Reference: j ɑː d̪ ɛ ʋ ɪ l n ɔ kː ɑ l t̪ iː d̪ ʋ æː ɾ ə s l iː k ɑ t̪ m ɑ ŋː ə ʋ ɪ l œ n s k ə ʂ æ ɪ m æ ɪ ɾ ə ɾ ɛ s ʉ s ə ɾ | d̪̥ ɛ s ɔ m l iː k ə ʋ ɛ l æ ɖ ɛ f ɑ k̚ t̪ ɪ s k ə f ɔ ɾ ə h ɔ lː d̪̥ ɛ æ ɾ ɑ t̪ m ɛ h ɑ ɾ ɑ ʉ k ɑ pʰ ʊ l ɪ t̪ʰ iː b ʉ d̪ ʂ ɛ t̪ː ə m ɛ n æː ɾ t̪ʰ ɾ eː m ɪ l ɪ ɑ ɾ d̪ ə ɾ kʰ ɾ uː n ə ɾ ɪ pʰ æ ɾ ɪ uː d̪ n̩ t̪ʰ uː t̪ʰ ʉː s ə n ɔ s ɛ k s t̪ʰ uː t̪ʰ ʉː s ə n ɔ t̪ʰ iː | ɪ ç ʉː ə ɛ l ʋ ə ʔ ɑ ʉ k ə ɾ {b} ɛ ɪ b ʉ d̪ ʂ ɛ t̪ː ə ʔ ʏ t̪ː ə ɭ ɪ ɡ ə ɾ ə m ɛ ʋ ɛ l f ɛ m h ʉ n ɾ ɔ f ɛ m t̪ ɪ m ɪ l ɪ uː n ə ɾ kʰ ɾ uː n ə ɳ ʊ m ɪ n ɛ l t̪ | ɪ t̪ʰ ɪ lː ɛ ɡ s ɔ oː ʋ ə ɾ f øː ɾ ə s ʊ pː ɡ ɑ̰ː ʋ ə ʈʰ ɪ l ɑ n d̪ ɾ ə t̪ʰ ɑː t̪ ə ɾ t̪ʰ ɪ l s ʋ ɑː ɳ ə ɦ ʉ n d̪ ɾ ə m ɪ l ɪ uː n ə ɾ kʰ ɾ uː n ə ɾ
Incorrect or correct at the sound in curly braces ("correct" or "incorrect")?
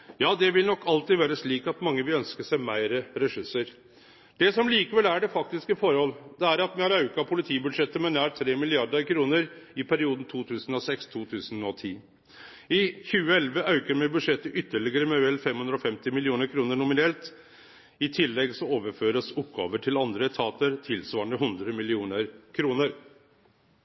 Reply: incorrect